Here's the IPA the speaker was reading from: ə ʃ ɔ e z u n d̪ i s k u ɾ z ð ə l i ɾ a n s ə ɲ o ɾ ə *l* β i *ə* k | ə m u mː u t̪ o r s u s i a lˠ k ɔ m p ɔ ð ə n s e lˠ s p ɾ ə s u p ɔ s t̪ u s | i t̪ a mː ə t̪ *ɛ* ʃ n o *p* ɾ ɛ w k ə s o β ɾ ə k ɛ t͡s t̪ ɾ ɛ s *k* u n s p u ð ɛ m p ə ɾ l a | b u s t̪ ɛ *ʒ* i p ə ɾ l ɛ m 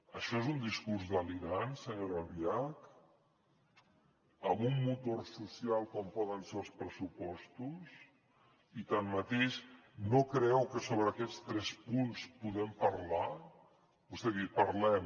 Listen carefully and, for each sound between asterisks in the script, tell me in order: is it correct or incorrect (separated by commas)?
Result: correct, incorrect, incorrect, incorrect, incorrect, incorrect